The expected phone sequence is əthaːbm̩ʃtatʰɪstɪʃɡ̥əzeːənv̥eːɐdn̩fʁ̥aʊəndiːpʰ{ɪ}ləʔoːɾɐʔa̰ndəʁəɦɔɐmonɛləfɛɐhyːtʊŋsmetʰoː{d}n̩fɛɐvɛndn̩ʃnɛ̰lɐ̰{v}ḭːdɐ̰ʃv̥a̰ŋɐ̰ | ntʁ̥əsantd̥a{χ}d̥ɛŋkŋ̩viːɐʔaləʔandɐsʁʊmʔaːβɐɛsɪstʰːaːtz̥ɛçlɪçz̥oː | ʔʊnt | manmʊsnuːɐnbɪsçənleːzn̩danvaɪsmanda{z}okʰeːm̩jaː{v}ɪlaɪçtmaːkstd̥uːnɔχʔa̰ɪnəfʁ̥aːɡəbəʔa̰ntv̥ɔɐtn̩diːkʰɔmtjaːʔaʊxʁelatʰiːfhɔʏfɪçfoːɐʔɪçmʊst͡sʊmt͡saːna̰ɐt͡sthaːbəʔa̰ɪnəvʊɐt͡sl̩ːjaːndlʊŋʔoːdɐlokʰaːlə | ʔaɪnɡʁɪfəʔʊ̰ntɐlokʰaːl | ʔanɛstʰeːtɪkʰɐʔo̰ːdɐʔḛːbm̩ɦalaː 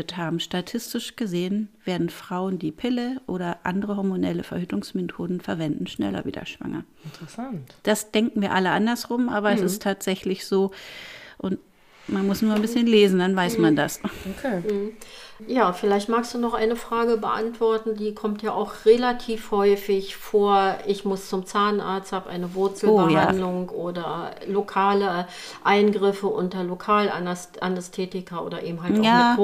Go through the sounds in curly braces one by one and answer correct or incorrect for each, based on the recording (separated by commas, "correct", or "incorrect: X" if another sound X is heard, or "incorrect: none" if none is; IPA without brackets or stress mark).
correct, correct, correct, incorrect: s, incorrect: s, incorrect: f